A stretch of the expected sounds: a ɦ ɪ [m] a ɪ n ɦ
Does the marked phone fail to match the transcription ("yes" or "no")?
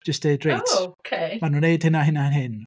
yes